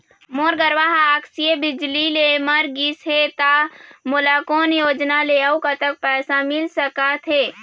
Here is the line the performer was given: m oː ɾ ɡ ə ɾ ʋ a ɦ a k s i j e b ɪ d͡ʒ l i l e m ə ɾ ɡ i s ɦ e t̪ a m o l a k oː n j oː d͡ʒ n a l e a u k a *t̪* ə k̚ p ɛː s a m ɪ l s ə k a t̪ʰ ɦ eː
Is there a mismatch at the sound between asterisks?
no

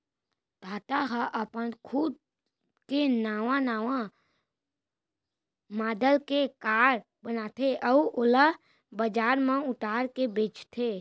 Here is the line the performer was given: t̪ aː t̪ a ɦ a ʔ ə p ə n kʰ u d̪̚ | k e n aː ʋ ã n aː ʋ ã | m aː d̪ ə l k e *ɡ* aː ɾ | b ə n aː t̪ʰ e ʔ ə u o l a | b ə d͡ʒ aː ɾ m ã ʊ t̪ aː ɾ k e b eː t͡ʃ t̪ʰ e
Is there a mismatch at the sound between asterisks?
yes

